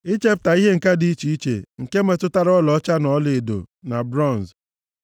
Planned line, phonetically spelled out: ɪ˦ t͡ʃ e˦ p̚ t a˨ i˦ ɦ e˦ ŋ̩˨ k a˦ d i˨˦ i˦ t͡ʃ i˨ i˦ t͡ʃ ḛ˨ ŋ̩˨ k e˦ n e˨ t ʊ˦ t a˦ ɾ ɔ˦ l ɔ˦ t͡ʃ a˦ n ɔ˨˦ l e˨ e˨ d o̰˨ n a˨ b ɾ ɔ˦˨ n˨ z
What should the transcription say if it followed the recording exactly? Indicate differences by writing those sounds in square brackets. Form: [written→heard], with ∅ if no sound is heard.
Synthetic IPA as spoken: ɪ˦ t͡ʃ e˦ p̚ t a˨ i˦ ɦ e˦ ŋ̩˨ k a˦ d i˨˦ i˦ t͡ʃ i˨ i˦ t͡ʃ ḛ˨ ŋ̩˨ k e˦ [n→m] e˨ t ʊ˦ t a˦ ɾ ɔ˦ l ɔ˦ t͡ʃ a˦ n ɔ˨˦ l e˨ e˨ d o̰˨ n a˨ b ɾ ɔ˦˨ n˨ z